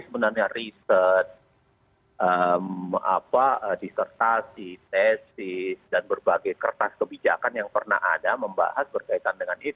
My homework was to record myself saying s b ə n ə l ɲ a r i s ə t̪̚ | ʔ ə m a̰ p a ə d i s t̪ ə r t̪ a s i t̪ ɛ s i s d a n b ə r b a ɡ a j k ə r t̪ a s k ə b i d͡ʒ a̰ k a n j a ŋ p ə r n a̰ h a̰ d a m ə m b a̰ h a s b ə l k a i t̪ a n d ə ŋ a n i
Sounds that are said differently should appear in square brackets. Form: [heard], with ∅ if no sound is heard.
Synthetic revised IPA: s b ə n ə [r] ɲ a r i s ə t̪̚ | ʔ ə m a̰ p a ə d i s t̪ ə r t̪ a s i t̪ ɛ s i s d a n b ə r b a ɡ a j k ə r t̪ a s k ə b i d͡ʒ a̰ k a n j a ŋ p ə r n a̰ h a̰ d a m ə m b a̰ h a s b ə [r] k a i t̪ a n d ə ŋ a n i